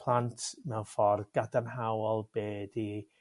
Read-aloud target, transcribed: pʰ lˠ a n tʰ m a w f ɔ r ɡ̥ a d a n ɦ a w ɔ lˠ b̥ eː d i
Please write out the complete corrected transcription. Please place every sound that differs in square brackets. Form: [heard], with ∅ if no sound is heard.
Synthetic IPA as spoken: pʰ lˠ a n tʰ [n] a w f ɔ r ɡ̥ a d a n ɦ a w ɔ lˠ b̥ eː d i

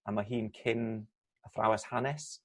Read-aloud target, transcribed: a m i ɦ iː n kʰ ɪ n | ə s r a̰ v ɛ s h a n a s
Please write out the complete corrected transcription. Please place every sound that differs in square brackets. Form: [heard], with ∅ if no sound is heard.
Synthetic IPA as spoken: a m [a] ɦ iː n kʰ ɪ n | ə [f] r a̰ [w] ɛ s h a n [ɛ] s

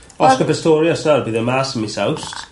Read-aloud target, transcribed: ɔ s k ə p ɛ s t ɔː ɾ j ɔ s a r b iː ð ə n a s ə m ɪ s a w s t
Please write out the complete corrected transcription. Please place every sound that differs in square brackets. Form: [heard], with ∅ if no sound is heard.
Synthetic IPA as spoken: ɔ s k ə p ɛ s t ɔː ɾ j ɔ s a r b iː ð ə [m] a s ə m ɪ s a w s t

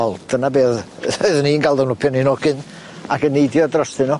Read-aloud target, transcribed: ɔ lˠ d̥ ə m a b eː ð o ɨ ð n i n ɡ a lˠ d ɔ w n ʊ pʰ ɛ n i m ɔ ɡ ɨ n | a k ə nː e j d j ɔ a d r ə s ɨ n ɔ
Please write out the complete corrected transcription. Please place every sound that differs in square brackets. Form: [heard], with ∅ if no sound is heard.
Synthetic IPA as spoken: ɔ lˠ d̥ ə [n] a b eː ð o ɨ ð n i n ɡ a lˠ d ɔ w n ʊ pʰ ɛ n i [n] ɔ ɡ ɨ n | a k ə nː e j d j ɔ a d r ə s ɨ n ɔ

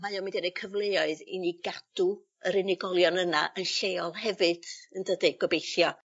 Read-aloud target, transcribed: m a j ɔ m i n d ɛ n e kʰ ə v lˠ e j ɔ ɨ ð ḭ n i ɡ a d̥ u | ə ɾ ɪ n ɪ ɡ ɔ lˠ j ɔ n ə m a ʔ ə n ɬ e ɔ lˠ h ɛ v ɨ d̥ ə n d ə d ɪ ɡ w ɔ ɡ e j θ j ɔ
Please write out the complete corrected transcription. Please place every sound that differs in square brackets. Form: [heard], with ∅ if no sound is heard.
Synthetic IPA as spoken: m a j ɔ m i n d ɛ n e kʰ ə v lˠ e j ɔ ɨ ð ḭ n i ɡ a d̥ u | ə ɾ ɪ n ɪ ɡ ɔ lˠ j ɔ n ə [n] a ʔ ə n ɬ e ɔ lˠ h ɛ v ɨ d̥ ə n d ə d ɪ ɡ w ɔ [b] e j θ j ɔ

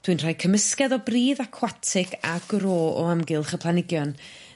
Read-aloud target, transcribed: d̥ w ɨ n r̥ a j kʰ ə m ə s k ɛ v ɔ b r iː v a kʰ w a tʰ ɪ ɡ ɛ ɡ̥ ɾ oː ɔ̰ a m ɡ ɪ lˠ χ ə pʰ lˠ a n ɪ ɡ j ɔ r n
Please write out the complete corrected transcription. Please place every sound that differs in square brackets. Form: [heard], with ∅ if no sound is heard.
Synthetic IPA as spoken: d̥ w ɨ n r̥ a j kʰ ə m ə s k ɛ [ð] ɔ b r iː [ð] a kʰ w a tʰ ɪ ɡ [a] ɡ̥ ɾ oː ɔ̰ a m ɡ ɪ lˠ χ ə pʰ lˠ a n ɪ ɡ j ɔ [∅] n

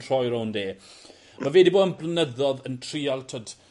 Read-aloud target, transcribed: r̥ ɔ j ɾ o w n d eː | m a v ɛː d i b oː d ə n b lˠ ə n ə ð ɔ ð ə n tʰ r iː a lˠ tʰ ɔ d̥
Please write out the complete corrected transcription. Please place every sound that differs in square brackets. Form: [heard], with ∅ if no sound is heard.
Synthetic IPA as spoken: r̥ ɔ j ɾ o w n d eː | m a v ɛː d i b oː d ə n b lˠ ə n ə ð ɔ ð ə n tʰ r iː a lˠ tʰ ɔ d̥

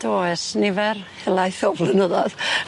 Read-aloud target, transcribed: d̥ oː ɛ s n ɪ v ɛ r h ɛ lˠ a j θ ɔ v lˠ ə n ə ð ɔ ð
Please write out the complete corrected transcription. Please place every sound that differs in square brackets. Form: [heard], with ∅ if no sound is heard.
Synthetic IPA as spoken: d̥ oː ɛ s n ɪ v ɛ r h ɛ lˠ a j θ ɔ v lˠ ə n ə ð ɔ ð

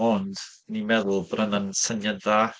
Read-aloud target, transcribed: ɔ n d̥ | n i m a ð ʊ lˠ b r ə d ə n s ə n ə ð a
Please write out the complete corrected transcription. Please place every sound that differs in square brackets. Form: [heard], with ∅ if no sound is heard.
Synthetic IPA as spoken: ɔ n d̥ | n i m [ɛ] ð ʊ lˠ b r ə [n] ə n s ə n ə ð a

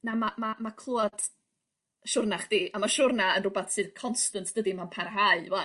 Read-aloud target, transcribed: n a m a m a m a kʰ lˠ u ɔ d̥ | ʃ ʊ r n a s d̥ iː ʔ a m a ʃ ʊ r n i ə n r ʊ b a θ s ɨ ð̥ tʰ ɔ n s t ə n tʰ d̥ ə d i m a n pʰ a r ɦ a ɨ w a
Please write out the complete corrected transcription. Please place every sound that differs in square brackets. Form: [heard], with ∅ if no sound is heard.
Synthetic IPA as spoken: n a m a m a m a kʰ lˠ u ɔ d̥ | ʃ ʊ r n a [χ] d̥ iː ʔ a m a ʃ ʊ r n [a] ə n r ʊ b a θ s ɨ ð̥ [kʰ] ɔ n s t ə n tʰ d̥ ə d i m a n pʰ a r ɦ a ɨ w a

